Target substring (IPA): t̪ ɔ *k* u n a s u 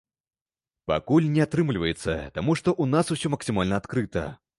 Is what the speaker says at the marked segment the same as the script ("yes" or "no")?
no